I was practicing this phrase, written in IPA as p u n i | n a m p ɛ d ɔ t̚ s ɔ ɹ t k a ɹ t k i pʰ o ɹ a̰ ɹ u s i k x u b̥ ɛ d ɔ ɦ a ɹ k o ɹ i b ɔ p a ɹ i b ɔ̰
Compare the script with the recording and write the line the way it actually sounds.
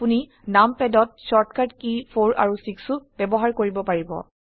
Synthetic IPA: p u n i | n a m p ɛ d ɔ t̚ s ɔ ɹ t k a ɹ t k i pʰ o ɹ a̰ ɹ u s i k s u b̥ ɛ b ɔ ɦ a ɹ k o ɹ i b ɔ p a ɹ i b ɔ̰